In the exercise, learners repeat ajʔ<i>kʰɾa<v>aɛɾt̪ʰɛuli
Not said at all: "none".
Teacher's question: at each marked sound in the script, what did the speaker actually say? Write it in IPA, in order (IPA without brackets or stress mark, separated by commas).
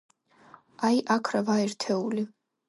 a, v